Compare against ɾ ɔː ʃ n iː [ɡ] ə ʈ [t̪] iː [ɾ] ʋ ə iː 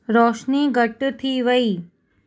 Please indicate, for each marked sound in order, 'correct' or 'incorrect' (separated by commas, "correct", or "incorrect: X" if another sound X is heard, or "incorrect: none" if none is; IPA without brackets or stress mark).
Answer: correct, incorrect: t̪ʰ, incorrect: none